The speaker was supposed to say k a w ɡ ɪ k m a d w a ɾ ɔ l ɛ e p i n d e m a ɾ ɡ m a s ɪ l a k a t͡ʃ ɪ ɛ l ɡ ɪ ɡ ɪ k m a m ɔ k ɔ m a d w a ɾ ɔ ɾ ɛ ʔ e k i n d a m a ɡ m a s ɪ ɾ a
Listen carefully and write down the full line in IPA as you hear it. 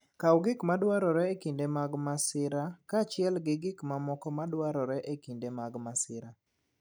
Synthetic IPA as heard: k a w ɡ ɪ k m a d w a ɾ ɔ ɾ ɛ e k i n d e m a ɡ m a s ɪ ɾ a k a t͡ʃ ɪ ɛ l ɡ ɪ ɡ ɪ k m a m ɔ k ɔ m a d w a ɾ ɔ ɾ ɛ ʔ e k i n d e m a ɡ m a s ɪ ɾ a